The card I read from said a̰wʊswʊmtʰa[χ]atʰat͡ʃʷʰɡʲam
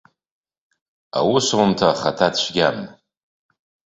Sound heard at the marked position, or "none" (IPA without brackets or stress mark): χ